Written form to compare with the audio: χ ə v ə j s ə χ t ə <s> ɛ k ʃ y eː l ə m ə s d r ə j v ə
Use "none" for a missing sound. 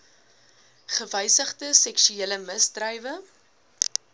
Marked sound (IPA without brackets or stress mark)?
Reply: s